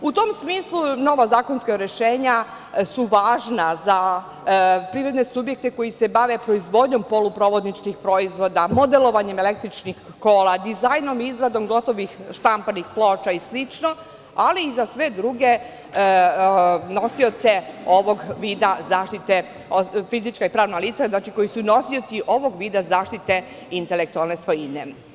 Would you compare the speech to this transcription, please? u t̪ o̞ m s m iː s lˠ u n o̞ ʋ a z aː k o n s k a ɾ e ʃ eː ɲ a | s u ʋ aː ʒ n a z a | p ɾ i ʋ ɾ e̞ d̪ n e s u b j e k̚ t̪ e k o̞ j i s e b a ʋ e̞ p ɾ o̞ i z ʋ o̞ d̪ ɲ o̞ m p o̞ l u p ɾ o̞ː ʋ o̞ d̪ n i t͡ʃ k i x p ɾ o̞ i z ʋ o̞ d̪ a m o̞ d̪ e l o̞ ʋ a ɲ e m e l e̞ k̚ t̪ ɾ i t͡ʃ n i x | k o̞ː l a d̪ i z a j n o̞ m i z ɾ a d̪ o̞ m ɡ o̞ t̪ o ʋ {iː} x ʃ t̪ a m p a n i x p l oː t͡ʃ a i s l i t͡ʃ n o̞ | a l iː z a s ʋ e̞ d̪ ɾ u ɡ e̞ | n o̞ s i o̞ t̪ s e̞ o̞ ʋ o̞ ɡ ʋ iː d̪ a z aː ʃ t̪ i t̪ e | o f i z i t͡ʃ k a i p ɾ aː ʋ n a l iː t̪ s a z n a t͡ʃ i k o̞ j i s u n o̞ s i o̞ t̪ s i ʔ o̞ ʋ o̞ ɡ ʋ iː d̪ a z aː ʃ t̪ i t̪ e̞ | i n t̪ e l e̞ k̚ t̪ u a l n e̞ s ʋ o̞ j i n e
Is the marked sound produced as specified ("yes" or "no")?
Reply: no